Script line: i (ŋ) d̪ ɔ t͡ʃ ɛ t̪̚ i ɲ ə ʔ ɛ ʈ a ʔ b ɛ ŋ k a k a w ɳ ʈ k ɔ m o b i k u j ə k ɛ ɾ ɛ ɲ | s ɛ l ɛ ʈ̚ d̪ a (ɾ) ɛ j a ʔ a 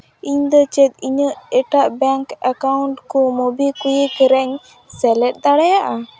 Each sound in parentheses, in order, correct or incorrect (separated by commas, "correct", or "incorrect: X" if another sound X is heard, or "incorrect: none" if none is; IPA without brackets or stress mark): incorrect: ɲ, incorrect: ɽ